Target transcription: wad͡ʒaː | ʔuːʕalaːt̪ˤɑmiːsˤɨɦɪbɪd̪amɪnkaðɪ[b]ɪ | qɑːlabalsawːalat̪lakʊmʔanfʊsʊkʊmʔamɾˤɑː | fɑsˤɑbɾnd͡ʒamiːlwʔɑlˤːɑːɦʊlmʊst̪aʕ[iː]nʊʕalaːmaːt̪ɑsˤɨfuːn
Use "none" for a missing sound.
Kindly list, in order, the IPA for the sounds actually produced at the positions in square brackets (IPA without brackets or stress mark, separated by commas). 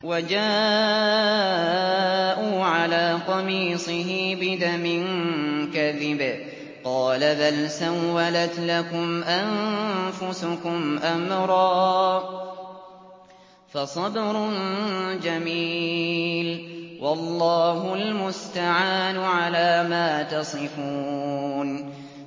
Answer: b, aː